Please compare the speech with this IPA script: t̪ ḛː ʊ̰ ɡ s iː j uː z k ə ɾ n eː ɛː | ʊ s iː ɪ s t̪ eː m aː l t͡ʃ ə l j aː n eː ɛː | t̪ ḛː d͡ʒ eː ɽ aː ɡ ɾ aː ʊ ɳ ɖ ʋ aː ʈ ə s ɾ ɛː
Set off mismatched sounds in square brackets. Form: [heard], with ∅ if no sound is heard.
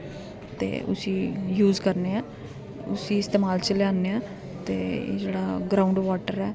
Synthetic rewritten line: t̪ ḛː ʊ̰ [∅] s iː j uː z k ə ɾ n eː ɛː | ʊ s iː ɪ s t̪ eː m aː l t͡ʃ ə l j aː n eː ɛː | t̪ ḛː d͡ʒ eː ɽ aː ɡ ɾ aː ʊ ɳ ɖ ʋ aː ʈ ə [∅] ɾ ɛː